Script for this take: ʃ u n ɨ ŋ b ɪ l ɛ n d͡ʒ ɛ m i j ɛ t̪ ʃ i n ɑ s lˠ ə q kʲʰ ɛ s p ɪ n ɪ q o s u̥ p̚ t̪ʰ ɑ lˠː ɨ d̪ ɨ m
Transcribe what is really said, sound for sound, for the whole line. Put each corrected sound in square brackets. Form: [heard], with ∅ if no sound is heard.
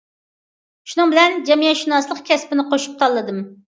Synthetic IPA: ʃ u n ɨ ŋ b ɪ l ɛ n d͡ʒ ɛ m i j ɛ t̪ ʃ i n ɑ s lˠ ə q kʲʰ ɛ s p ɪ n ɪ q o [ʃ] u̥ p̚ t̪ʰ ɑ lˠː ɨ d̪ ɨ m